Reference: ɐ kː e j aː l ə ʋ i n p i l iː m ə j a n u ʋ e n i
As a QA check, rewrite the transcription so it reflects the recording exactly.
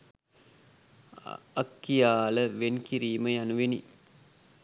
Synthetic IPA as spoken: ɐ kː i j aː l ə ʋ e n k i ɾ iː m ə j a n u ʋ e n i